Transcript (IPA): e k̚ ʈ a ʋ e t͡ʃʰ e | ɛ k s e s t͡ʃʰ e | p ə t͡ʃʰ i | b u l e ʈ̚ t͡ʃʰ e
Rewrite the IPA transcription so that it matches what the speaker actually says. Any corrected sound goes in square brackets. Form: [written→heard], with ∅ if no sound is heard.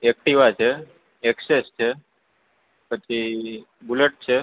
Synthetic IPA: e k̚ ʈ [a→i] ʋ [e→a] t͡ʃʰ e | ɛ k s e s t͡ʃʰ e | p ə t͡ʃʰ i | b u l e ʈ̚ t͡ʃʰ e